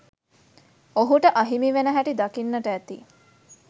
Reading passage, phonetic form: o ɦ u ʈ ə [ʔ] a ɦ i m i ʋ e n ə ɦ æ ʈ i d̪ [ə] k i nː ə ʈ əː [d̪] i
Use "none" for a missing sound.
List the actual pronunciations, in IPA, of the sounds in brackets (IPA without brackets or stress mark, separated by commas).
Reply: ʔ, a, t̪